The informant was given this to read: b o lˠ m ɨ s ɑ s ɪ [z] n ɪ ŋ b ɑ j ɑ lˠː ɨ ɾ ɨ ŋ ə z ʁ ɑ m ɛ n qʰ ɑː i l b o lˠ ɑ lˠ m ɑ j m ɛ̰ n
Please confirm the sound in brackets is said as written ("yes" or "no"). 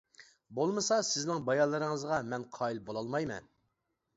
yes